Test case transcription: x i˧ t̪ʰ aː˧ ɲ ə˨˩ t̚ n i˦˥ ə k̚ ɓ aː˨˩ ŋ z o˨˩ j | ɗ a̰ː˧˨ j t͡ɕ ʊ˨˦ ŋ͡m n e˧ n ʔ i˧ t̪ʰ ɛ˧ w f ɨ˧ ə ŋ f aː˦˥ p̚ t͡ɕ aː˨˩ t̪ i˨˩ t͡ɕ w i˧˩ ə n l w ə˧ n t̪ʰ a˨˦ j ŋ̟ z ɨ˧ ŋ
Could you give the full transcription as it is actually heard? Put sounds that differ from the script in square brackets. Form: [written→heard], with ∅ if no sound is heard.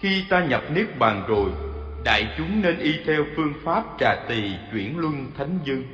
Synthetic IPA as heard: x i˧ [t̪ʰ→t̪] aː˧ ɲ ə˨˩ [t̚→p̚] n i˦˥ ə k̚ ɓ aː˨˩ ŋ z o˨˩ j | ɗ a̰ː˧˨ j t͡ɕ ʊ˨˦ ŋ͡m n e˧ n ʔ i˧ t̪ʰ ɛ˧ w f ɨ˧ ə ŋ f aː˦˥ p̚ t͡ɕ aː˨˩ t̪ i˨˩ t͡ɕ w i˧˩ ə n l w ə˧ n t̪ʰ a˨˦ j ŋ̟ z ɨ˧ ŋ